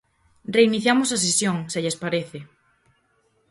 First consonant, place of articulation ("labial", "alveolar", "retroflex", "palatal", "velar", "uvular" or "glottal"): alveolar